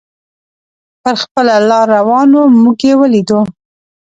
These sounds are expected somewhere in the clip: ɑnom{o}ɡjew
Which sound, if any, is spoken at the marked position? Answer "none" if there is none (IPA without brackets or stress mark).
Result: u